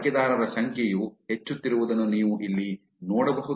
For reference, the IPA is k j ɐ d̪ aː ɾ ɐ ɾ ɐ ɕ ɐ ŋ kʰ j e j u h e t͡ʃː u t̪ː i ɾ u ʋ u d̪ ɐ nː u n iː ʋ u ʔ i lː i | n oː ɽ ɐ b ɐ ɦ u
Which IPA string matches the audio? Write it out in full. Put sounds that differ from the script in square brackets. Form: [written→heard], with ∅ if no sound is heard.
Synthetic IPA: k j ɐ d̪ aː ɾ ɐ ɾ ɐ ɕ ɐ ŋ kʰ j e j u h e t͡ʃː u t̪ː i ɾ u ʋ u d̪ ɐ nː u n iː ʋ u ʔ i lː i | n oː ɽ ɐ b ɐ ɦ u